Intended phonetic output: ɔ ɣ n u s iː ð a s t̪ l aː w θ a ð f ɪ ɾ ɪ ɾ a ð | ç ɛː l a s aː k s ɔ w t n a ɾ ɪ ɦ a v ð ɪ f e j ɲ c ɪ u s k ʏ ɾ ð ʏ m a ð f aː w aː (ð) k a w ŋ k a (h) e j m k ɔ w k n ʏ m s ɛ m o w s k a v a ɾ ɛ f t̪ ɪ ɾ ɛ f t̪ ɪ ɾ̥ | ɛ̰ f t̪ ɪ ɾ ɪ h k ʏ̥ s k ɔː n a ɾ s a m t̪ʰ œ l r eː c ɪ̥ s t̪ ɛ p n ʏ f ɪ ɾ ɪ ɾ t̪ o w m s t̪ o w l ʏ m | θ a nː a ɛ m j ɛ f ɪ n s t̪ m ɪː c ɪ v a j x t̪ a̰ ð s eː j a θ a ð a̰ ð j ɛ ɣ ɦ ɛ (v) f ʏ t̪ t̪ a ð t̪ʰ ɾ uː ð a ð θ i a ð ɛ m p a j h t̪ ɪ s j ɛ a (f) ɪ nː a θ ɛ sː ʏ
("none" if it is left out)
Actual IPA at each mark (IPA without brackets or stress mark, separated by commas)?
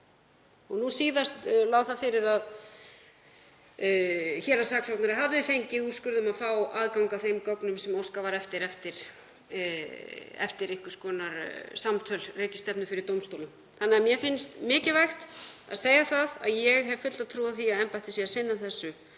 ð, θ, v, s